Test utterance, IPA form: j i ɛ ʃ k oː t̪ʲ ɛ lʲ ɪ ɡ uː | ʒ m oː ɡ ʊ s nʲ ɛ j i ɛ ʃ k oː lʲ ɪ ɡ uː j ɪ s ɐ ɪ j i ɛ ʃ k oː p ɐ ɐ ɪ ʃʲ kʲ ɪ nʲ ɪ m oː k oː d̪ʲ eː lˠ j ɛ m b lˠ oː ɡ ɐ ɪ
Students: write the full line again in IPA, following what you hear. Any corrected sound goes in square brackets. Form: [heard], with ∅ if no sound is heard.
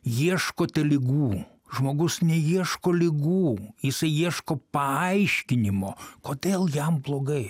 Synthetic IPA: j i ɛ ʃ k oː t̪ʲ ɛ lʲ ɪ ɡ uː | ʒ m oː ɡ ʊ s nʲ ɛ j i ɛ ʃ k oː lʲ ɪ ɡ uː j ɪ s ɐ ɪ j i ɛ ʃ k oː p ɐ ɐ ɪ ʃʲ kʲ ɪ nʲ ɪ m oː k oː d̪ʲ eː lˠ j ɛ m b lˠ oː ɡ ɐ ɪ

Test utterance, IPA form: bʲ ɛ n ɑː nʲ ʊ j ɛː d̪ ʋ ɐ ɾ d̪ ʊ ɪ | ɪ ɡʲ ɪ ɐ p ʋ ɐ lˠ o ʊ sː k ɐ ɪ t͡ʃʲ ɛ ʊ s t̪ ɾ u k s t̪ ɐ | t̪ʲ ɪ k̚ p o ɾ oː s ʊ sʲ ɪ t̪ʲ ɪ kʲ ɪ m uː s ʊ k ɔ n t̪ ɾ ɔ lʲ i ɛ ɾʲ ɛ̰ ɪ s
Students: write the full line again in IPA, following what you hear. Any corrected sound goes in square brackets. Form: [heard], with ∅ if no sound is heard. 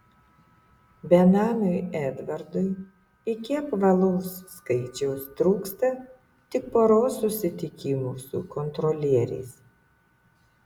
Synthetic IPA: bʲ ɛ n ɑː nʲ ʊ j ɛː d̪ ʋ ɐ ɾ d̪ ʊ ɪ | ɪ [kʲ] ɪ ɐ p ʋ ɐ lˠ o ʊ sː k ɐ ɪ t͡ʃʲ ɛ ʊ s t̪ ɾ [uː] k s t̪ ɐ | t̪ʲ ɪ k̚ p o ɾ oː s ʊ sʲ ɪ t̪ʲ ɪ kʲ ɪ m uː s ʊ k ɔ n t̪ ɾ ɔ lʲ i ɛ ɾʲ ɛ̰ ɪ s

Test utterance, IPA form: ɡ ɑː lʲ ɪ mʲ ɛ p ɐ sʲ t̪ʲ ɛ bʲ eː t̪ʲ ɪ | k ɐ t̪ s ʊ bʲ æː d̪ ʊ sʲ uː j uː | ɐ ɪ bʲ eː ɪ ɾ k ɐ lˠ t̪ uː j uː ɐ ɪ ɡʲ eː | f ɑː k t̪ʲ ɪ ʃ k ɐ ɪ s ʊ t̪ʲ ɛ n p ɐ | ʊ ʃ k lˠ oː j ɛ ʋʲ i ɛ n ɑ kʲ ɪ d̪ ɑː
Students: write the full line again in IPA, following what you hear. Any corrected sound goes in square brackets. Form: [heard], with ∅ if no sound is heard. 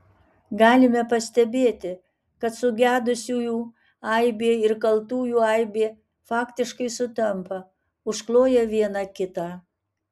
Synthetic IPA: ɡ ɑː lʲ ɪ mʲ ɛ p ɐ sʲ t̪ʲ ɛ bʲ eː t̪ʲ ɪ | k ɐ t̪ s ʊ [ɡʲ] æː d̪ ʊ sʲ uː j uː | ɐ ɪ bʲ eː ɪ ɾ k ɐ lˠ t̪ uː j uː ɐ ɪ [bʲ] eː | f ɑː k t̪ʲ ɪ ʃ k ɐ ɪ s ʊ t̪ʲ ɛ [m] p ɐ | ʊ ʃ k lˠ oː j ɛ ʋʲ i ɛ n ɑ kʲ ɪ [t̪] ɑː

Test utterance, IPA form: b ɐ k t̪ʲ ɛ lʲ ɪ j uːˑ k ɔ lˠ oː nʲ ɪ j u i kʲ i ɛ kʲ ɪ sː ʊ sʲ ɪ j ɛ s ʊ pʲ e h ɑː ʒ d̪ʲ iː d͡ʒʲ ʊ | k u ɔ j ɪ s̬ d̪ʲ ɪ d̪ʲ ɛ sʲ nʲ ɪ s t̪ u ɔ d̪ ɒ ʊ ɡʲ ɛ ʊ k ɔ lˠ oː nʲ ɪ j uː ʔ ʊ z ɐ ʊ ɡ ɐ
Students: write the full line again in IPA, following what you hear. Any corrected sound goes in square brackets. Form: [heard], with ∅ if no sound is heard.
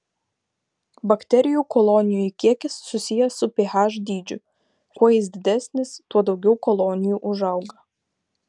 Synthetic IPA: b ɐ k t̪ʲ ɛ [ɾʲ] ɪ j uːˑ k ɔ lˠ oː nʲ ɪ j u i kʲ i ɛ kʲ ɪ sː ʊ sʲ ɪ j ɛ s ʊ pʲ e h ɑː ʒ d̪ʲ iː d͡ʒʲ ʊ | k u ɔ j ɪ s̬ d̪ʲ ɪ d̪ʲ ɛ sʲ nʲ ɪ s t̪ u ɔ d̪ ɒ ʊ ɡʲ ɛ ʊ k ɔ lˠ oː nʲ ɪ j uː ʔ ʊ [ʒ] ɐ ʊ ɡ ɐ

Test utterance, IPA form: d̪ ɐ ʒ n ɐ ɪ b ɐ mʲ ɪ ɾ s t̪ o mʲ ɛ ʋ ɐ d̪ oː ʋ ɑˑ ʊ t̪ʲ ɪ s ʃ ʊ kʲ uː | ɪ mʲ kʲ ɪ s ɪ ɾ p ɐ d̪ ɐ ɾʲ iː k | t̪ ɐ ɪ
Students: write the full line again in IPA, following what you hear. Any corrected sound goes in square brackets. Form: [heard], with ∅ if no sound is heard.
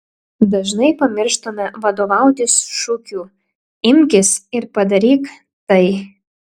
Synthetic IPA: d̪ ɐ ʒ n ɐ ɪ [p] ɐ mʲ ɪ ɾ [ʃ] t̪ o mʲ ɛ ʋ ɐ d̪ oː ʋ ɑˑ ʊ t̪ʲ ɪ s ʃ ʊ kʲ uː | ɪ mʲ kʲ ɪ s ɪ ɾ p ɐ d̪ ɐ ɾʲ iː k | t̪ ɐ ɪ

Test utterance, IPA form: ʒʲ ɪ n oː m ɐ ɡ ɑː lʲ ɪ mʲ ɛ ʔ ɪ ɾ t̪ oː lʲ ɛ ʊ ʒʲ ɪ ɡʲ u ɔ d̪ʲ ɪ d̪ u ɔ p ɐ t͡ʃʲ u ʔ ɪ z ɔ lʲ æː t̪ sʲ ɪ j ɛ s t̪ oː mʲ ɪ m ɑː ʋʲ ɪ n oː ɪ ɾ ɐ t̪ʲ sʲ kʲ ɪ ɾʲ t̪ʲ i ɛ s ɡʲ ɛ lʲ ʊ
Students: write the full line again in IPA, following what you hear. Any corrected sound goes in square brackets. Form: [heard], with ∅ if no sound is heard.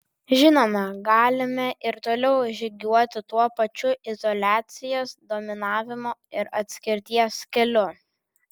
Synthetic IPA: ʒʲ ɪ n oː m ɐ ɡ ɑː lʲ ɪ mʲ ɛ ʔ ɪ ɾ t̪ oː lʲ ɛ ʊ ʒʲ ɪ ɡʲ u ɔ [t̪ʲ] ɪ [t̪] u ɔ p ɐ t͡ʃʲ [ʊ] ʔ ɪ z ɔ lʲ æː t̪ sʲ ɪ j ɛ s [d̪] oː mʲ ɪ [n] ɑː ʋʲ ɪ [m] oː ɪ ɾ ɐ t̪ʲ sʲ kʲ ɪ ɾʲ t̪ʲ i ɛ s [kʲ] ɛ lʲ ʊ

